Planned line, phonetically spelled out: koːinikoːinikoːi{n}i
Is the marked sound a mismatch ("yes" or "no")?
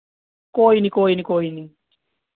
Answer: no